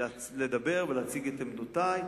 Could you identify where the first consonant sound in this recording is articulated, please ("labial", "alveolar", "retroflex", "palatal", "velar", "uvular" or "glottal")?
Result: alveolar